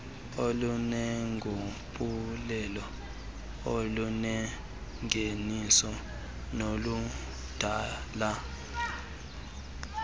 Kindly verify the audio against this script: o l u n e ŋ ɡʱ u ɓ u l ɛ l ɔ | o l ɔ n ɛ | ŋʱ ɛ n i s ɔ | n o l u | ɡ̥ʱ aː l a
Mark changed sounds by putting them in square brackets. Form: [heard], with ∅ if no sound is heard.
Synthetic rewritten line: o l u n [ɛ] ŋ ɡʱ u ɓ u l ɛ l ɔ | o l [u] n ɛ | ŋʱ [e] n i s ɔ | n o l u | [d̥ʱ] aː l a

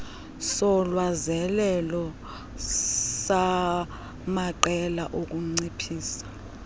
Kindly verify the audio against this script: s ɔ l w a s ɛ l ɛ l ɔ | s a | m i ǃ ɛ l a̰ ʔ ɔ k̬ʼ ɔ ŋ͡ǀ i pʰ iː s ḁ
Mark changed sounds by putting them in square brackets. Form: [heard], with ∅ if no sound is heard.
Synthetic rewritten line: s ɔ l w a [z] ɛ l ɛ l ɔ | s a | m [a] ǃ ɛ l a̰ ʔ [o] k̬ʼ [u] ŋ͡ǀ i pʰ iː s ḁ

